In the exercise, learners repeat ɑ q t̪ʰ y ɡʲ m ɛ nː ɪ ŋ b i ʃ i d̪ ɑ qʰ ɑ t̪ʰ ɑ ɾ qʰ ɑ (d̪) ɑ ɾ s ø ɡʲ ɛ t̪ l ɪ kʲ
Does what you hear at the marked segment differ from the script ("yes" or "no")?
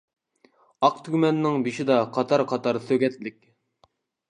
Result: yes